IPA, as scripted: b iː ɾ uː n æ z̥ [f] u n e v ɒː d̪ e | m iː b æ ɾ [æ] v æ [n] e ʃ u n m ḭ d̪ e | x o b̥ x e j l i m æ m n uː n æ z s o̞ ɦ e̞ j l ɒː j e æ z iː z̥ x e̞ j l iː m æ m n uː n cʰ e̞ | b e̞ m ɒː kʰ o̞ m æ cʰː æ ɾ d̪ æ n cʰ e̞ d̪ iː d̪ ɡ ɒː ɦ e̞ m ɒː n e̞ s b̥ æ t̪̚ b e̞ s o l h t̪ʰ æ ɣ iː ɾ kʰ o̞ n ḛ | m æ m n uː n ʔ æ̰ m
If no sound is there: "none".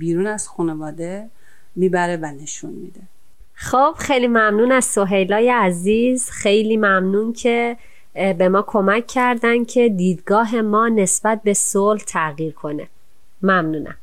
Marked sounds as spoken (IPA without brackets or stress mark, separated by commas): x, e, n